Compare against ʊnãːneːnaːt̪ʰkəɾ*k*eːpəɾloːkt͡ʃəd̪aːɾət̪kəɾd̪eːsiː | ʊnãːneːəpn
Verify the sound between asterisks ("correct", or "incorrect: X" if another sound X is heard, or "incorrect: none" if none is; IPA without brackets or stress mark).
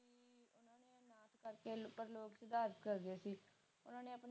correct